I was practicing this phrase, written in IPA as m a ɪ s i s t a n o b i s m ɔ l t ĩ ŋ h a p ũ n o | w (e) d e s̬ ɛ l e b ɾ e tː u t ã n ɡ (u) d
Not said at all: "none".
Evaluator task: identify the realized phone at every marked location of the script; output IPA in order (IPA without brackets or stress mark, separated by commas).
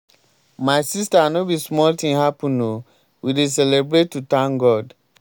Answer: i, ɔ